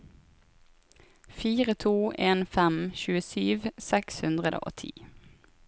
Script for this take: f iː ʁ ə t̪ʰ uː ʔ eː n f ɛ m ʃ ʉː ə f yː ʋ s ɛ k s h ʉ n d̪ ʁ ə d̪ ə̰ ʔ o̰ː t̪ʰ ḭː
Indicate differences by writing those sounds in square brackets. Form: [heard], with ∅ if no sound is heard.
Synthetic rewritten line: f iː ʁ ə t̪ʰ uː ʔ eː n f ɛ m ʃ ʉː ə [s] yː ʋ s ɛ k s h ʉ n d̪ ʁ ə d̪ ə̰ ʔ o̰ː t̪ʰ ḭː